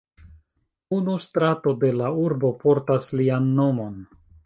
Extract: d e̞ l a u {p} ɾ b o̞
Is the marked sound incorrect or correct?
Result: incorrect